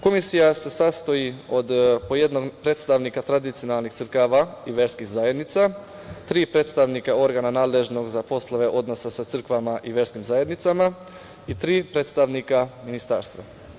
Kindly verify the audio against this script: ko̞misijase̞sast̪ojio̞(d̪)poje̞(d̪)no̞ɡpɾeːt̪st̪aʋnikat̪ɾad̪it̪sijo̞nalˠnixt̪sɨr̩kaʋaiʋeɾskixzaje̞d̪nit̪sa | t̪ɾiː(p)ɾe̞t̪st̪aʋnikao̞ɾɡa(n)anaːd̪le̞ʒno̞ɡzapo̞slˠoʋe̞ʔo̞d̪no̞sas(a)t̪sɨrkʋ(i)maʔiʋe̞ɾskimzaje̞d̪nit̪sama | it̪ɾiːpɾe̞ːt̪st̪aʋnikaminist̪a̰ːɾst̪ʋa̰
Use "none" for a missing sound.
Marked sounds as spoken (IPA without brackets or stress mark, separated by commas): d̪, d̪, p, n, a, a